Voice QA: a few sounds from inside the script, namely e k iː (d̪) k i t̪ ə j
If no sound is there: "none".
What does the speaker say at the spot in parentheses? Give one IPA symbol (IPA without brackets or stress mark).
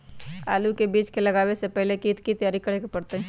t̪